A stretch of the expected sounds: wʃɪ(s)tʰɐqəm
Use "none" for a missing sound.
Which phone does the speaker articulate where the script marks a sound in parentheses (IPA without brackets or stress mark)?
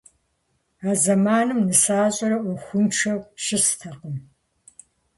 s